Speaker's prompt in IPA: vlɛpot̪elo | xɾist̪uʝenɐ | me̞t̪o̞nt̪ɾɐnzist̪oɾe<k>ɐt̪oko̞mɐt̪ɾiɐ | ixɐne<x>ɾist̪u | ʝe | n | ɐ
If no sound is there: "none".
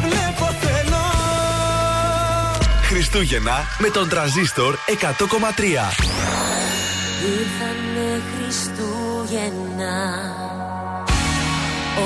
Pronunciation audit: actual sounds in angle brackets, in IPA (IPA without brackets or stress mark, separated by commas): k, x